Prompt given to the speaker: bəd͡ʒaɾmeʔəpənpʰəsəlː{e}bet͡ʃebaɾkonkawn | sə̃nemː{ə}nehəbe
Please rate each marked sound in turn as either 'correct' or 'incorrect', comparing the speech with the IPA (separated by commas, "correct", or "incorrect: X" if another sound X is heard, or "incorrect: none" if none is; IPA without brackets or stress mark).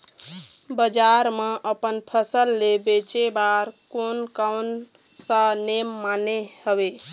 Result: correct, incorrect: a